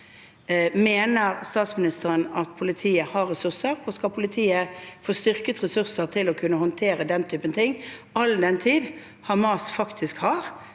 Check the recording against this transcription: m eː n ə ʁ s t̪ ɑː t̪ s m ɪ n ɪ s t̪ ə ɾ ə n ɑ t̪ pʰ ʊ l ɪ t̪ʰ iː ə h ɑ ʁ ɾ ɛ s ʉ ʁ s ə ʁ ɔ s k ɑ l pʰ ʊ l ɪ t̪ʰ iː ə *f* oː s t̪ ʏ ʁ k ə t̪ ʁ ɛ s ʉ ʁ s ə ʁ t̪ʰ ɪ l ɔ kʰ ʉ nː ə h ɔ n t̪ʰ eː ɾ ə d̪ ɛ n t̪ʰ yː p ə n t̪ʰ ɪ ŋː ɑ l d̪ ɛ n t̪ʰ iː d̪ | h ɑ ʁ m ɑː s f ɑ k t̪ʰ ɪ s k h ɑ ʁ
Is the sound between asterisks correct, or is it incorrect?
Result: correct